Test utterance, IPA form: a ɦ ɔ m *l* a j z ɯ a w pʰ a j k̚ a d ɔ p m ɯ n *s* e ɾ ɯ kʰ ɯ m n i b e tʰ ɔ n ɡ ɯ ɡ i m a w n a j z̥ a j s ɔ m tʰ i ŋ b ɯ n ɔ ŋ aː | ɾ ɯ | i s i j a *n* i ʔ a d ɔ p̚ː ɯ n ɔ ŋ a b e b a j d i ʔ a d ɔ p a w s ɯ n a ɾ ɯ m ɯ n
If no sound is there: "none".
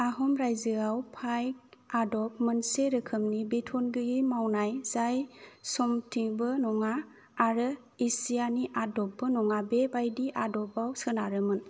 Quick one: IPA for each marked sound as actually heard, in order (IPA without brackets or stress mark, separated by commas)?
ɾ, s, n